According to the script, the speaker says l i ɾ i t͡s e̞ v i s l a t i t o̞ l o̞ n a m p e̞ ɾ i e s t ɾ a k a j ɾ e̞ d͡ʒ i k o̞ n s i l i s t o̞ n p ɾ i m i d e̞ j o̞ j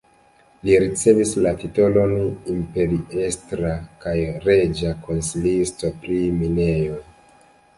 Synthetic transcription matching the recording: l i ɾ i t͡s e̞ v i s l a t i t o̞ l o̞ n i m p e̞ ɾ i e s t ɾ a k a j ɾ e̞ d͡ʒ a k o̞ n s i l i s t o̞ p ɾ i m i n e̞ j o̞ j